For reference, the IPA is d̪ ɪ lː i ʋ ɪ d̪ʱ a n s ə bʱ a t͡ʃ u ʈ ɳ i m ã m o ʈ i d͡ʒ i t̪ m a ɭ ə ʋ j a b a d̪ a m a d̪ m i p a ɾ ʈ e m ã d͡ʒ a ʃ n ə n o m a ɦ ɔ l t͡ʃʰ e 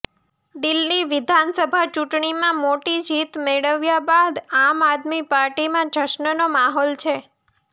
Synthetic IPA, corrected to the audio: d̪ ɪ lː i ʋ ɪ d̪ʱ a n s ə bʱ a t͡ʃ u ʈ ɳ i m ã m o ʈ i d͡ʒ i t̪ m e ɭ ə ʋ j a b a d̪ a m a d̪ m i p a ɾ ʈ i m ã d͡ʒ ə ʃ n ə n o m a ɦ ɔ l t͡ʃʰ e